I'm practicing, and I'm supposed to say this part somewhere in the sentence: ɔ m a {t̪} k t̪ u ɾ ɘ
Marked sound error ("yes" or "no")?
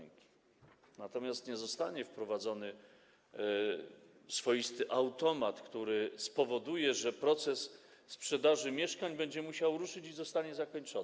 no